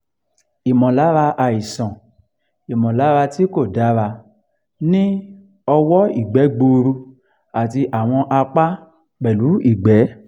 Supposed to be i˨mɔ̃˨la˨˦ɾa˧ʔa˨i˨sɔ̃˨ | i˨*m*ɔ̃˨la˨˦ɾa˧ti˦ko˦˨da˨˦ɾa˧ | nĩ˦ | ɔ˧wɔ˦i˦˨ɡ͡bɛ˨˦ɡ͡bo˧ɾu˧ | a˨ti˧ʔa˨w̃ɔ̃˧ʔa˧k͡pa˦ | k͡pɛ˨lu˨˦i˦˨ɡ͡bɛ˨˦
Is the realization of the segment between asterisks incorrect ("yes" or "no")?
no